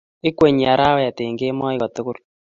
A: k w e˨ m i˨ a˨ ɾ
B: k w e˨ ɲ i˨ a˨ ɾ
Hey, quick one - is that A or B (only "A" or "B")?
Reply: B